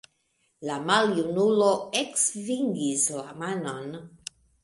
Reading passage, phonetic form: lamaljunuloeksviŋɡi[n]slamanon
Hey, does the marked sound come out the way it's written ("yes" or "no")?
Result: no